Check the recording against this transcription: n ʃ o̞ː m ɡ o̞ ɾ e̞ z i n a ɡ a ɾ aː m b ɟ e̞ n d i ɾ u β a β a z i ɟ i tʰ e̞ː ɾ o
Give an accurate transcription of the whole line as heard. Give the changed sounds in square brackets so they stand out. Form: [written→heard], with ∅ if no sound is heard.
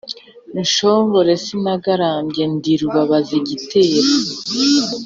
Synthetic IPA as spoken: n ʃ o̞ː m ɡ o̞ ɾ e̞ [z→s] i n a ɡ a ɾ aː m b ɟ e̞ n d i ɾ u β a β a z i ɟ i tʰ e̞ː ɾ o